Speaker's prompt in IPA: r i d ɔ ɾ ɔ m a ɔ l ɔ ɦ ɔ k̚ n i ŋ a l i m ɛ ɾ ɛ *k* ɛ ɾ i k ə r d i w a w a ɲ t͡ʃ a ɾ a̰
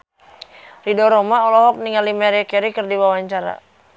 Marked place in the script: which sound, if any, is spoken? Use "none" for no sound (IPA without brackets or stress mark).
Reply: k